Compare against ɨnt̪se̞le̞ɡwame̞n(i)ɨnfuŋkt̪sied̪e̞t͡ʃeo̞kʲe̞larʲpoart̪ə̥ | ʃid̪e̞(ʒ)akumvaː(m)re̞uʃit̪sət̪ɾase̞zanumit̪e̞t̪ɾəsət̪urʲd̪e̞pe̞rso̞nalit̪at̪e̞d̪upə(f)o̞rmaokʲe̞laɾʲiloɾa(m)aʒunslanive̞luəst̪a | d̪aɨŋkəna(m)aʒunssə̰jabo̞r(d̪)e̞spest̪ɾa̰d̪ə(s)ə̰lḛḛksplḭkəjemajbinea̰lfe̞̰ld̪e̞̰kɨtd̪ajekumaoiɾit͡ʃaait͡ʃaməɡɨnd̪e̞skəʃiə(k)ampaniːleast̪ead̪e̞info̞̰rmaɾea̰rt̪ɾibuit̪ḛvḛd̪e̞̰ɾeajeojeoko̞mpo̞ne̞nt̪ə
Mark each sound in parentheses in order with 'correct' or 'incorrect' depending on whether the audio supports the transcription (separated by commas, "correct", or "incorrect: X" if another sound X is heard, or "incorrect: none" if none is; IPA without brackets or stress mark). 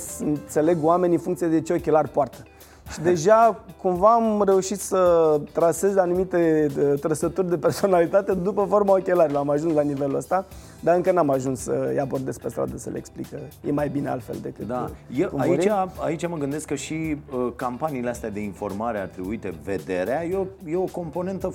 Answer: correct, correct, correct, correct, correct, correct, correct, correct, correct